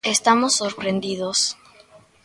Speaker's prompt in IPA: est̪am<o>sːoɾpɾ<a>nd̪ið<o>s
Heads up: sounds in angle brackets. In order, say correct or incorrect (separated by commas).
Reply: correct, incorrect, correct